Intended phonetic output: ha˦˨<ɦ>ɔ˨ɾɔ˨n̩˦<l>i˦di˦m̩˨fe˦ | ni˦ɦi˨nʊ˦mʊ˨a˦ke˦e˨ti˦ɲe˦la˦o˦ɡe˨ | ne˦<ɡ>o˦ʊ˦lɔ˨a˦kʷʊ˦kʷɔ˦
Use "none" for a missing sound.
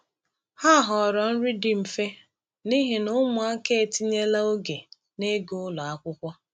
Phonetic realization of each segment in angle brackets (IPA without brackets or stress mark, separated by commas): ɦ, ɾ, ɡ